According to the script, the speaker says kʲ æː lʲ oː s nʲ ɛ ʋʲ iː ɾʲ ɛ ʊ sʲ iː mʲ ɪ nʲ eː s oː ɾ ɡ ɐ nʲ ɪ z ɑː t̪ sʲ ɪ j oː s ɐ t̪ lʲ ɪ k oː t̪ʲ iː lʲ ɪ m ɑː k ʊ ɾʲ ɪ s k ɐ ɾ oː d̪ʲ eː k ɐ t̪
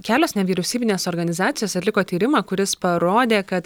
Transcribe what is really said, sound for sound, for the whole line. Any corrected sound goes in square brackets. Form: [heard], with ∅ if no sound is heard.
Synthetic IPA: kʲ æː lʲ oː s nʲ ɛ ʋʲ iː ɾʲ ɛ ʊ sʲ iː [bʲ] ɪ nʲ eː s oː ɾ ɡ ɐ nʲ ɪ z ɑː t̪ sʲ ɪ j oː s ɐ t̪ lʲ ɪ k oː t̪ʲ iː [ɾʲ] ɪ m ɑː k ʊ ɾʲ ɪ s [p] ɐ ɾ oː d̪ʲ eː k ɐ t̪